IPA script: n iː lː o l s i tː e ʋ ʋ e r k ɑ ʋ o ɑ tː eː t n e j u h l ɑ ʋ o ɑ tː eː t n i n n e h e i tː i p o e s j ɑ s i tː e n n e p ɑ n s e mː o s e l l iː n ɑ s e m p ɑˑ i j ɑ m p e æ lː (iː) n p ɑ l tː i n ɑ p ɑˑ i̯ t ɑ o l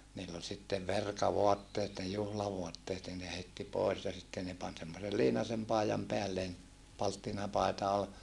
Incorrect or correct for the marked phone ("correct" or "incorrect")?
incorrect